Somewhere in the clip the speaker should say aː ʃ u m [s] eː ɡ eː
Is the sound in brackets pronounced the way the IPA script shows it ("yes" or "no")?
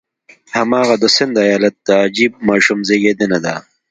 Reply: no